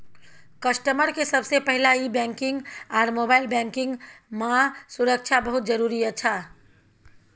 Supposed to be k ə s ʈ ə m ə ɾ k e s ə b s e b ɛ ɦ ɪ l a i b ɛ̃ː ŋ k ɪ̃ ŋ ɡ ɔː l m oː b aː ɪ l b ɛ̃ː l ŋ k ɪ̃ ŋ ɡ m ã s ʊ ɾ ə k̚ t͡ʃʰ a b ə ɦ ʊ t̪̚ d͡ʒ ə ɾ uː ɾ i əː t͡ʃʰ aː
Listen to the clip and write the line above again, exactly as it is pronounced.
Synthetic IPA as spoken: k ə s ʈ ə m ə ɾ k e s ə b s e p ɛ ɦ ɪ l a i b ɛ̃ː ŋ k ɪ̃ ŋ ɡ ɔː ɾ m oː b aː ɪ l b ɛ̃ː ŋ k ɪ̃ ŋ ɡ m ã s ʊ ɾ ə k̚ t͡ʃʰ a b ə ɦ ʊ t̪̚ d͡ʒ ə ɾ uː ɾ i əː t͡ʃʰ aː